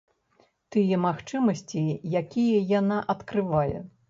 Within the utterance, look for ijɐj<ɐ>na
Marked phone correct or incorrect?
incorrect